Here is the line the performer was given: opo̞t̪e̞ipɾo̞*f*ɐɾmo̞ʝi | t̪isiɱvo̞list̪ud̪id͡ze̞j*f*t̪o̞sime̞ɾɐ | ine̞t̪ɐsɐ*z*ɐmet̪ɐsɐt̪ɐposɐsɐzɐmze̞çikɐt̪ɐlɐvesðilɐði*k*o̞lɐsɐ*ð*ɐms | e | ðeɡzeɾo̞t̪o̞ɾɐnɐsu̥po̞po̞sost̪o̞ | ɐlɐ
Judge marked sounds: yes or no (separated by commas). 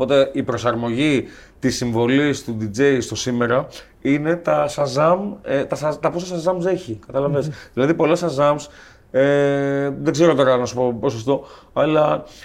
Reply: no, no, yes, no, no